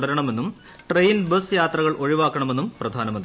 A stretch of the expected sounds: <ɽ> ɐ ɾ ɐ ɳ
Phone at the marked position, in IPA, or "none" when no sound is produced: ɽ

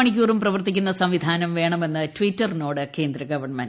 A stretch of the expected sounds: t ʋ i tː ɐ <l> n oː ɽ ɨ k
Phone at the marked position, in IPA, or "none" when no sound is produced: r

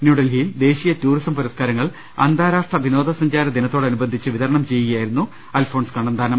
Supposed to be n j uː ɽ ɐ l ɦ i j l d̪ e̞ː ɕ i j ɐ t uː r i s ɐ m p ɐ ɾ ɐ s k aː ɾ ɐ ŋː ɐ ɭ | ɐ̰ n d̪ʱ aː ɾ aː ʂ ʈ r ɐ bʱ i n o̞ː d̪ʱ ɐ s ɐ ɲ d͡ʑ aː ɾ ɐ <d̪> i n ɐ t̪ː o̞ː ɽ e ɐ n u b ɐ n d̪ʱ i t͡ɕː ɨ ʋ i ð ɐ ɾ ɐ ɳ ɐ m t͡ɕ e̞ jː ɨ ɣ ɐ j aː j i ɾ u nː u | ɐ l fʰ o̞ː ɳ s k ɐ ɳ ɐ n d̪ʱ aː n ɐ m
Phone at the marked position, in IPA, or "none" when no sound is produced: d̪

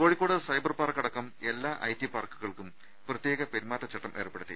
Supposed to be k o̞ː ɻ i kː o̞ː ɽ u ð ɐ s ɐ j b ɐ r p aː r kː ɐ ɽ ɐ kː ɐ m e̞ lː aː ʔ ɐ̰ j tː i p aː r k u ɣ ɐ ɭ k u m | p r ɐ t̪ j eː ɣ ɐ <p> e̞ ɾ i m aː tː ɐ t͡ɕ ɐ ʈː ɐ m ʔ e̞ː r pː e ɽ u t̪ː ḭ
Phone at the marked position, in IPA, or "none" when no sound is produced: p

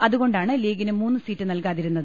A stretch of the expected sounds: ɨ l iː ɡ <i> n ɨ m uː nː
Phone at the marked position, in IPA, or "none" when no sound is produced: i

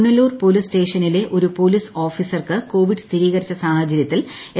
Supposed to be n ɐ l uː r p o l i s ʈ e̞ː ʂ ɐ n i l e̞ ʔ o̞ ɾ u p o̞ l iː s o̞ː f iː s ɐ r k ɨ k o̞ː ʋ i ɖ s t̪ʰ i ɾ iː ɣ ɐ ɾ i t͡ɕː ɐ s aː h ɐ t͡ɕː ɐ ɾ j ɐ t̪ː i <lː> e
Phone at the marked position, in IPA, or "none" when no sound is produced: l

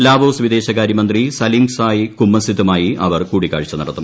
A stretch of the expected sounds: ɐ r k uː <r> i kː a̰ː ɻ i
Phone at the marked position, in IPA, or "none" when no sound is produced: ɽ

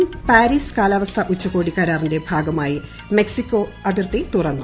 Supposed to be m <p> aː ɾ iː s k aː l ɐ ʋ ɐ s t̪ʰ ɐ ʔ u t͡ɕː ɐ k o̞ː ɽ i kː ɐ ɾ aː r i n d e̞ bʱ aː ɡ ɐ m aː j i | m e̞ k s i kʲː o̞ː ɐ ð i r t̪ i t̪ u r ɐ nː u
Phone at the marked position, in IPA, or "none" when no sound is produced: p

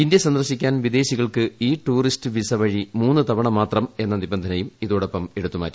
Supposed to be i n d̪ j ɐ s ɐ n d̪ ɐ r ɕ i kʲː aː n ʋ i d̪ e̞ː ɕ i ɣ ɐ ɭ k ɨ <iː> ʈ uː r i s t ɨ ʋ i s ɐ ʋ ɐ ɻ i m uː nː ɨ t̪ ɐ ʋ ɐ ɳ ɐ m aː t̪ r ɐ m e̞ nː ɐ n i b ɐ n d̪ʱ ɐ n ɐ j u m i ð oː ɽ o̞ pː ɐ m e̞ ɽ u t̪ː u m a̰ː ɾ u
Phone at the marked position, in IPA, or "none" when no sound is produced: iː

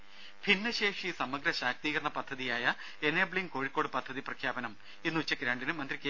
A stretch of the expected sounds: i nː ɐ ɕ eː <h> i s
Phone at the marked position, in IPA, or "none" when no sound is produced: ʂ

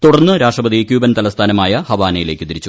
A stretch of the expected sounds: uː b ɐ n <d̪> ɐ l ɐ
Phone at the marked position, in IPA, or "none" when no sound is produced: t̪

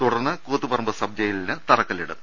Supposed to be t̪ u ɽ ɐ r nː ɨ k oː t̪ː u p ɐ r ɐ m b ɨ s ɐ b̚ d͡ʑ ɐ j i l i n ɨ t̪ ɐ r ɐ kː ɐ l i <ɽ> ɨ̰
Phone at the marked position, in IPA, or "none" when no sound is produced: ɽ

